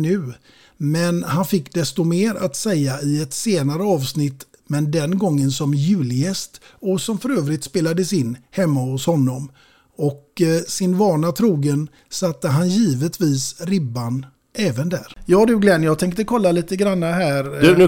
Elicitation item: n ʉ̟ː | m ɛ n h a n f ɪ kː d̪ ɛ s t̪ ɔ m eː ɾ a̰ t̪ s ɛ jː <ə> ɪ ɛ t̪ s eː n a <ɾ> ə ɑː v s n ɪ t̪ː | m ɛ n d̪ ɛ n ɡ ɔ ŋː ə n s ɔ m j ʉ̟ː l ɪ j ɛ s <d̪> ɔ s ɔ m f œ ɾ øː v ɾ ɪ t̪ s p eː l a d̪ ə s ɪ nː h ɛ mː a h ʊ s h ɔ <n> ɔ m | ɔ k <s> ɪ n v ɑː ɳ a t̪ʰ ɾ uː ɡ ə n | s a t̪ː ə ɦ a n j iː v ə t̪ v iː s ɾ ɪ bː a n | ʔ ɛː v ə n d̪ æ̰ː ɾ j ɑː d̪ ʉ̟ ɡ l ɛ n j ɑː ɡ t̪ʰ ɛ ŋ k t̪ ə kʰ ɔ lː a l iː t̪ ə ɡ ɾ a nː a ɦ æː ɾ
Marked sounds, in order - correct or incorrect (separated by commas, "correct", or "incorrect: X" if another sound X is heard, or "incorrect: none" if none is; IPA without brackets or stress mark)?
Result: incorrect: a, correct, incorrect: t̪, incorrect: nː, correct